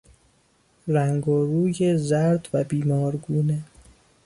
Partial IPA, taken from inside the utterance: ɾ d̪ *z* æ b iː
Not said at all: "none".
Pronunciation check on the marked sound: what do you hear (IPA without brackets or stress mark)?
v